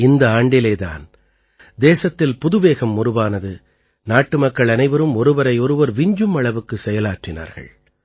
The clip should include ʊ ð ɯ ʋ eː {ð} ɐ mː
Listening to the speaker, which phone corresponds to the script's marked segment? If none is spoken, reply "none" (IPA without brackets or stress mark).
ɣ